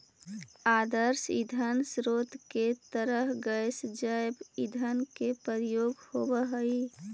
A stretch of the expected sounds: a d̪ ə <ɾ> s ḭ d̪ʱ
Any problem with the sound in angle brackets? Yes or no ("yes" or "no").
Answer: no